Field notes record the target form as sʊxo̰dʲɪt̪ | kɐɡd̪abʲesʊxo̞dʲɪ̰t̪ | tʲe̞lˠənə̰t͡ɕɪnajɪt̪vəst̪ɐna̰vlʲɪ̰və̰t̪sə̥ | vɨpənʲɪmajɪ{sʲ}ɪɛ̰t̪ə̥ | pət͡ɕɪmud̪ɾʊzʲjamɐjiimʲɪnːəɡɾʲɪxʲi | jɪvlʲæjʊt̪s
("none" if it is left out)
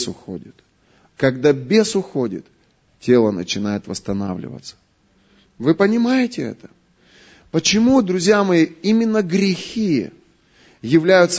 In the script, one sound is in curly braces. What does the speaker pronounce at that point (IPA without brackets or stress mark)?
tʲ